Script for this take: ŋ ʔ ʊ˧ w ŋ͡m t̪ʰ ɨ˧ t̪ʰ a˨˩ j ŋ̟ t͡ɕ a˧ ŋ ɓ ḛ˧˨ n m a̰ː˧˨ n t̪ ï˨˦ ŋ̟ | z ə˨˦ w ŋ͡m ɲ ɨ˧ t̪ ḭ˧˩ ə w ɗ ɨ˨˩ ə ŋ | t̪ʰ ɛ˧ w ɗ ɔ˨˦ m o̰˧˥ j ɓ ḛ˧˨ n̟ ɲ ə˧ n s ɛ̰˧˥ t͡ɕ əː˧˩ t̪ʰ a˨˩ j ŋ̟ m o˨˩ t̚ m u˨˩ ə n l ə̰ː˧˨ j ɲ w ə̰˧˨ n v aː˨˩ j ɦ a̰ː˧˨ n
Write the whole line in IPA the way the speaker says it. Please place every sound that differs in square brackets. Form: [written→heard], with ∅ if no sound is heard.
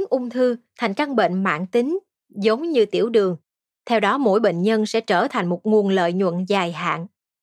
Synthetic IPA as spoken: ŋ ʔ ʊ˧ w ŋ͡m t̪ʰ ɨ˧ t̪ʰ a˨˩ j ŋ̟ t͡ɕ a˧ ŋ ɓ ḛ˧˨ n m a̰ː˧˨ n t̪ ï˨˦ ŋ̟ | z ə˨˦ w ŋ͡m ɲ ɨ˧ t̪ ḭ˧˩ ə w ɗ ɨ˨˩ ə ŋ | t̪ʰ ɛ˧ w ɗ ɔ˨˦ m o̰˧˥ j ɓ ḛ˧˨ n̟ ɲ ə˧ n s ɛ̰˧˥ t͡ɕ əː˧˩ t̪ʰ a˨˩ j ŋ̟ m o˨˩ t̚ [m→ŋ] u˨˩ ə n l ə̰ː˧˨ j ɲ w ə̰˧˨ n [v→z] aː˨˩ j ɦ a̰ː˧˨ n